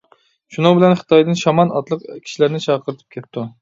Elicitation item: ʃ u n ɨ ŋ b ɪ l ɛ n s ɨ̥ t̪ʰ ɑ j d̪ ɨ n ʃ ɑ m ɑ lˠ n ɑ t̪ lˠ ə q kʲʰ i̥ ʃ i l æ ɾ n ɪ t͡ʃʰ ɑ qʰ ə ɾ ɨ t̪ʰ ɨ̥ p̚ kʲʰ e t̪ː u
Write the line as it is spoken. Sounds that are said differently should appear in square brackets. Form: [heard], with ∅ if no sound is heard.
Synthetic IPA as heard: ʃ u n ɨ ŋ b ɪ l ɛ n [χ] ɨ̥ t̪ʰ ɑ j d̪ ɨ n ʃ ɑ m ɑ [∅] n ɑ t̪ lˠ ə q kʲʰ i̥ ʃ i l æ ɾ n ɪ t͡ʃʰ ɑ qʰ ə ɾ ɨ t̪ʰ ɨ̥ p̚ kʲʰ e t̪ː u